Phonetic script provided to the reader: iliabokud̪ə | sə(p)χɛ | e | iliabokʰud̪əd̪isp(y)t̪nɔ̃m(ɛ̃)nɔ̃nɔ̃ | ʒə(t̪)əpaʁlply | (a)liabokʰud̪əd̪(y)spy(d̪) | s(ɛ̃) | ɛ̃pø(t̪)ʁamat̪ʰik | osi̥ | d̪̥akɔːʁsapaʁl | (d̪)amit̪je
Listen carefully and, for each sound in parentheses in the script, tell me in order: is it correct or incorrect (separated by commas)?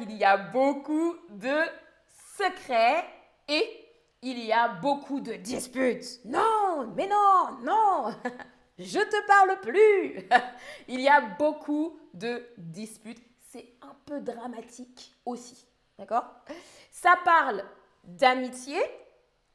incorrect, correct, incorrect, correct, incorrect, incorrect, incorrect, incorrect, incorrect, correct